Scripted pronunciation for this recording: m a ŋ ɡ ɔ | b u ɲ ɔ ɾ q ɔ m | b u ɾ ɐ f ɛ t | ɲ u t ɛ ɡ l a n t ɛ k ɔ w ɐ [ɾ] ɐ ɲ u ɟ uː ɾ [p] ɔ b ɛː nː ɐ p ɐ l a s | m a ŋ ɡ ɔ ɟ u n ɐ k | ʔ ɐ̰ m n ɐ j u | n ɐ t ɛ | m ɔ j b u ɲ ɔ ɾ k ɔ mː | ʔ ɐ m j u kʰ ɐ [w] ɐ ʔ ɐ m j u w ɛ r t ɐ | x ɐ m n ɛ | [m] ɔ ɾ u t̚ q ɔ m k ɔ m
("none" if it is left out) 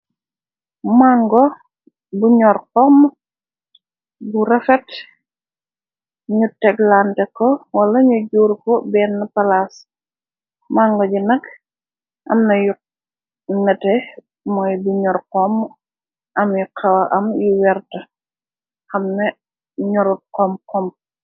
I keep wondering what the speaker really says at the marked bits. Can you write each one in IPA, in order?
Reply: l, k, w, ɲ

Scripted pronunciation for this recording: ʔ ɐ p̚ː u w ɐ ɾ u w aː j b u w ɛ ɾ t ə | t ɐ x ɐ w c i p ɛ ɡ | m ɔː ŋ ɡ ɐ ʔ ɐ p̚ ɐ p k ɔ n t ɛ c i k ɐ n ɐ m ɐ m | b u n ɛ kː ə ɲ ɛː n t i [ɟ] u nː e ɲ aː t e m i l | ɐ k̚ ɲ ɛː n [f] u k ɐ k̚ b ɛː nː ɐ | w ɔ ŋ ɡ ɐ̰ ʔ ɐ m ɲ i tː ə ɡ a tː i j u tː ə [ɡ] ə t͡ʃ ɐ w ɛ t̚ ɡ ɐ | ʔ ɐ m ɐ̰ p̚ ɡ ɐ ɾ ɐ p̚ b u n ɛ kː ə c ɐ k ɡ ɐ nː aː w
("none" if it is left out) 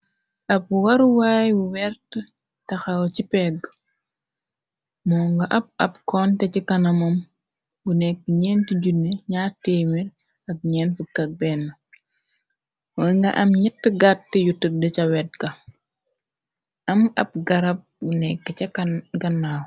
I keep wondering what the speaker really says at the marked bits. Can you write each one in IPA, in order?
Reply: ɟ, f, d

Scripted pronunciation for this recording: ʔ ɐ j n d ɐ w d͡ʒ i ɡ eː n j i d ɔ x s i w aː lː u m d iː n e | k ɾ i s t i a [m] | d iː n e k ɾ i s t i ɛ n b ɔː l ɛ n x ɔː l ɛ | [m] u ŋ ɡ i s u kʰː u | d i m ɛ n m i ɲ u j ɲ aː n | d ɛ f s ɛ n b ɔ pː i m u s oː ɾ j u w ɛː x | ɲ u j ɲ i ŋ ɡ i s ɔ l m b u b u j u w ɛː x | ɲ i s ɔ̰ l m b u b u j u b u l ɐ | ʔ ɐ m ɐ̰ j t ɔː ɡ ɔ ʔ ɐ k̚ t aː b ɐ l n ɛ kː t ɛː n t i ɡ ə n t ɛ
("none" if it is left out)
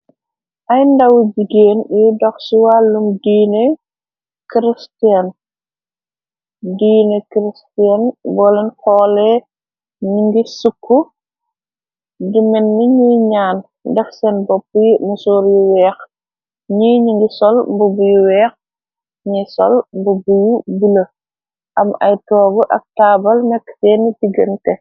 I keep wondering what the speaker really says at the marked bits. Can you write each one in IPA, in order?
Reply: n, ɲ

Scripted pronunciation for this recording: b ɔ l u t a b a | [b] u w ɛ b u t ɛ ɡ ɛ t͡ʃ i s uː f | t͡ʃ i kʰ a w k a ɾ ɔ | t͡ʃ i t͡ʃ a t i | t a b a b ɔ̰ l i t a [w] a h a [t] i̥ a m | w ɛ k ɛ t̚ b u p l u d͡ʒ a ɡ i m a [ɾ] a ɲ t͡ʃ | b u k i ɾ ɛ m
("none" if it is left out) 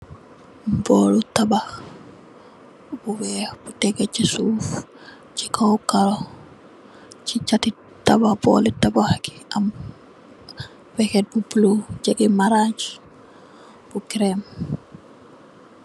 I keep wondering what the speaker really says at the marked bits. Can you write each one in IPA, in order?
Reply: b, b, k, ɾ

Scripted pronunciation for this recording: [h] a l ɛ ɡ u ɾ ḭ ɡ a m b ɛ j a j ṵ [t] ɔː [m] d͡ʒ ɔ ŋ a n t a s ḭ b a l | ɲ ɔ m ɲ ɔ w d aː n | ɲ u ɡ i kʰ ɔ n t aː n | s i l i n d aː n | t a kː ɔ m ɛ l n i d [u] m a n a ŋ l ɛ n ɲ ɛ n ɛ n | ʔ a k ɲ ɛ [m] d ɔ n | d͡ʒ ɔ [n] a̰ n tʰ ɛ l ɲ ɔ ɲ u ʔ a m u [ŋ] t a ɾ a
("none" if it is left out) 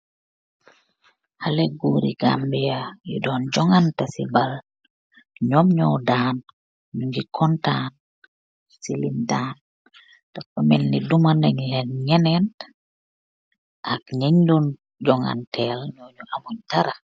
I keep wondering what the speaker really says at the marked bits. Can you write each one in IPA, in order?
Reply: h, d, n, u, ɲ, ŋ, ɲ

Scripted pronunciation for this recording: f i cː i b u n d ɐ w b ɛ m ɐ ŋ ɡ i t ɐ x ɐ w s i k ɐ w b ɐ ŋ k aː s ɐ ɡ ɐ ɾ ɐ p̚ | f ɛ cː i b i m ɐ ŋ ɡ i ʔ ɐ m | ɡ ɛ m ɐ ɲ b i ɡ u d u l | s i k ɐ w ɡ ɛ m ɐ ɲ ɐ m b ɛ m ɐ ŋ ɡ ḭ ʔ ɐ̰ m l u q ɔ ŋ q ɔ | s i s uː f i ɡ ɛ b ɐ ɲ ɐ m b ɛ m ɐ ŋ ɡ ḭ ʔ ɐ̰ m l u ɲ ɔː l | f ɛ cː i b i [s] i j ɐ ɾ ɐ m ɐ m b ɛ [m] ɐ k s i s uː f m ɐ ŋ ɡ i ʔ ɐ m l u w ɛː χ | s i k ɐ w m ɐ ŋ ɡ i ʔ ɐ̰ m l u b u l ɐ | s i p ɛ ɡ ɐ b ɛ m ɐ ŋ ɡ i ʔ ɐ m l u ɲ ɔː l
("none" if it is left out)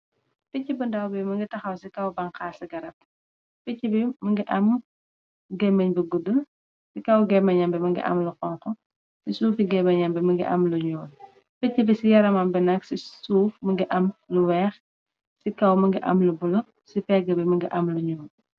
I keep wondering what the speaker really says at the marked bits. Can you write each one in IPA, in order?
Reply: s, n

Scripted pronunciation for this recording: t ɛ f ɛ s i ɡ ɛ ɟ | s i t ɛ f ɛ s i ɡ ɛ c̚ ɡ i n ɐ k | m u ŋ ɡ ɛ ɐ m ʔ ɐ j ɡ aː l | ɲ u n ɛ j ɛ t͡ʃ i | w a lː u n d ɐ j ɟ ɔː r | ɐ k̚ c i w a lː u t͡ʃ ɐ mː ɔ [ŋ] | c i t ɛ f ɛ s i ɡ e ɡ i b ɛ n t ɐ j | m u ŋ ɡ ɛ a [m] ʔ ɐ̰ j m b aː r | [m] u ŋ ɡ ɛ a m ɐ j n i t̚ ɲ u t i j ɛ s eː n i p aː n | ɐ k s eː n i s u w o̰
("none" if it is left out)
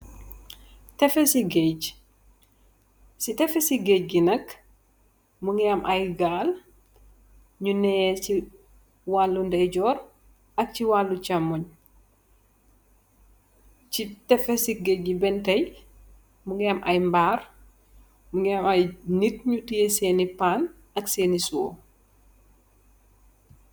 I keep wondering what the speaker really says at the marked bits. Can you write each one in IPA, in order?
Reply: ɲ, m, m

